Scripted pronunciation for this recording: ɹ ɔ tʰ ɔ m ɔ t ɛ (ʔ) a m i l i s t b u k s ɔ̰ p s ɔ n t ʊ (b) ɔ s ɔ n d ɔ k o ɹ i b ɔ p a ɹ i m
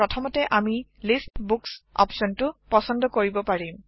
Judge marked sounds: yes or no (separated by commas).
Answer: yes, no